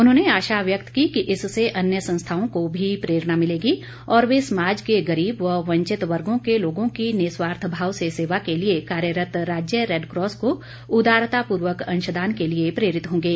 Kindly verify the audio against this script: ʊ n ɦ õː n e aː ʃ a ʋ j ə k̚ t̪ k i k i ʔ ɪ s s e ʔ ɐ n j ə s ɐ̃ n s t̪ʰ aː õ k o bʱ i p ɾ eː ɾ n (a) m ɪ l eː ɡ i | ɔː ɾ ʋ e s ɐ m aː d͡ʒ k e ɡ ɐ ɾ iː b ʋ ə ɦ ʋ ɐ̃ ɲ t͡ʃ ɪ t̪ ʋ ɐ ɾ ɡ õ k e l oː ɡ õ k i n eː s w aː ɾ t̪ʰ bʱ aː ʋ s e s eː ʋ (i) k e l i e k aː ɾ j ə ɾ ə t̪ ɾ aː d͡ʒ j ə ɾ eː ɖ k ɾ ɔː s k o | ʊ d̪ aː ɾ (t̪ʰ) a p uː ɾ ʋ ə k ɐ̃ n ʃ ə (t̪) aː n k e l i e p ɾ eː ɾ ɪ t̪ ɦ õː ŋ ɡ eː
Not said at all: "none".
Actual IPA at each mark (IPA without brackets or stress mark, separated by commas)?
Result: a, a, t̪, d̪